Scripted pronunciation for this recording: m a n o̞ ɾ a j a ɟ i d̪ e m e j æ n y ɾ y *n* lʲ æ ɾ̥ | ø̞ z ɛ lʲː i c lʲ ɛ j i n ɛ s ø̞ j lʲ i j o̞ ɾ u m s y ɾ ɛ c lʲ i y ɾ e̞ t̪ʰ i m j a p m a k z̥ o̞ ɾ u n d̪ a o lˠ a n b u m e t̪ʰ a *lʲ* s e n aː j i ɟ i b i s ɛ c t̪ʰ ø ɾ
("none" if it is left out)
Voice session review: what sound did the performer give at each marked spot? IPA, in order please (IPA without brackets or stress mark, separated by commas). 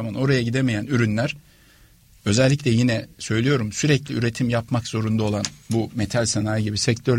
n, lʲ